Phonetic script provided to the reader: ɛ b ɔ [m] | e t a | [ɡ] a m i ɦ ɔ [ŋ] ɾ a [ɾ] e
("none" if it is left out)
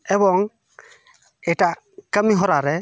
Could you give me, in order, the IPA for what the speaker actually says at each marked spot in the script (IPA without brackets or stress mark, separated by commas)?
ŋ, k, none, ɾ